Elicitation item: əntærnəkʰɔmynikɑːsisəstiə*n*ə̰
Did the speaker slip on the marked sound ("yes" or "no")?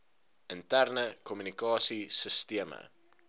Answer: yes